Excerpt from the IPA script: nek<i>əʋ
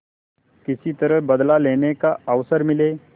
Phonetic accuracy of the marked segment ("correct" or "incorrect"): incorrect